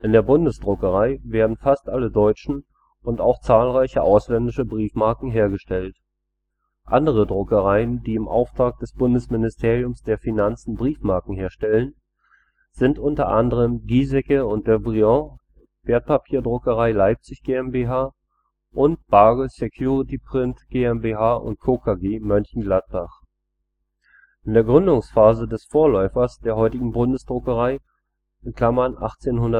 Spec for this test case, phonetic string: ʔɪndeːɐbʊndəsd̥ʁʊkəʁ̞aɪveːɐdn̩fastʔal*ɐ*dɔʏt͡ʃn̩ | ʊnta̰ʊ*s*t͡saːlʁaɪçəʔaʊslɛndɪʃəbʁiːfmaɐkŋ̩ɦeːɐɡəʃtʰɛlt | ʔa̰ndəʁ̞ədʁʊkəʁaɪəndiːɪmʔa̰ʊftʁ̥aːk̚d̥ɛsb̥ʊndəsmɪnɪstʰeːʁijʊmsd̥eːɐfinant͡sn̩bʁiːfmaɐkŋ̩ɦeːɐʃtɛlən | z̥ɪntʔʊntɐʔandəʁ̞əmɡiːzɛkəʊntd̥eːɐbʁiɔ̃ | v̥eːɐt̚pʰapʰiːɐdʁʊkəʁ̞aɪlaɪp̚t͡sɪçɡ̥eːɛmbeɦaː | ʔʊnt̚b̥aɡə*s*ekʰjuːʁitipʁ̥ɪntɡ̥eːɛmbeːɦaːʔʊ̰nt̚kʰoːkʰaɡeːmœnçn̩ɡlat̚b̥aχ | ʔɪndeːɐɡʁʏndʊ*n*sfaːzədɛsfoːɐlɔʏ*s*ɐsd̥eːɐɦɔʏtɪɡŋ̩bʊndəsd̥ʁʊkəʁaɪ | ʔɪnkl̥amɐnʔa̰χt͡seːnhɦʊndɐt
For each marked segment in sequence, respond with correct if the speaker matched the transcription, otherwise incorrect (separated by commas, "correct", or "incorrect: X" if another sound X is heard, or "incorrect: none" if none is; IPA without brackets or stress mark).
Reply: incorrect: ə, incorrect: x, correct, incorrect: ŋ, incorrect: f